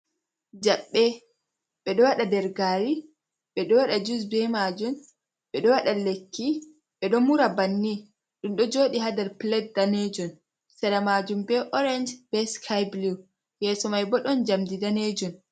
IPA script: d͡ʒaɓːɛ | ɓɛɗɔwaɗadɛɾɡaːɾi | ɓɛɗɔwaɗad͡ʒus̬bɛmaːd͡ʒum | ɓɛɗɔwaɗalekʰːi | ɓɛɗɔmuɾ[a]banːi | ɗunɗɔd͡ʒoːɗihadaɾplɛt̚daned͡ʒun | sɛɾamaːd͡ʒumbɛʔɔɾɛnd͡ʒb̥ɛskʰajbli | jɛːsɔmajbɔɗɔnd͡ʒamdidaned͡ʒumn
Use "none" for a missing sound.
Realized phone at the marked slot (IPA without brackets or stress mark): a